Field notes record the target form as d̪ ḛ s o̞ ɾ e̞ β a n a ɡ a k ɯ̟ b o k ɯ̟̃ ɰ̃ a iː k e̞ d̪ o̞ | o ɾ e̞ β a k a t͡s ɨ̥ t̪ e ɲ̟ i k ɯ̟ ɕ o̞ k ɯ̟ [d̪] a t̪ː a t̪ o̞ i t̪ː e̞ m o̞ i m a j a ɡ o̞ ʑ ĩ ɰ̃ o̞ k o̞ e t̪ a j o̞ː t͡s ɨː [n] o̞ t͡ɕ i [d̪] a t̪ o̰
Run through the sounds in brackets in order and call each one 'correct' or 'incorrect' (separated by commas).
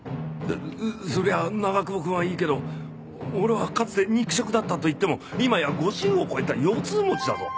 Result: correct, incorrect, correct